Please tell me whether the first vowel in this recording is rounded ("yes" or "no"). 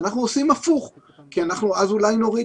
no